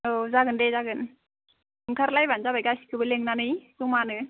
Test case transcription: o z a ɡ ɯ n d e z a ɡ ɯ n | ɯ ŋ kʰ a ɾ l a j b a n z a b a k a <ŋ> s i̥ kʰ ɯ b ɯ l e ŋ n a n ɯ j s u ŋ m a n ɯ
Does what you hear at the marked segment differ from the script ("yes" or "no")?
yes